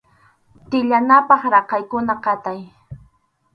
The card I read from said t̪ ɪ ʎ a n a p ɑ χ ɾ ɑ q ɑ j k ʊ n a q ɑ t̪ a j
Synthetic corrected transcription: t̪ ɪ ʎ a n a p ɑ χ ɾ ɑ q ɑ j k ʊ n a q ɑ t̪ a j